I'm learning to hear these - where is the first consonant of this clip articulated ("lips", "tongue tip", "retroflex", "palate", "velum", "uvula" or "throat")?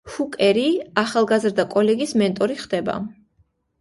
throat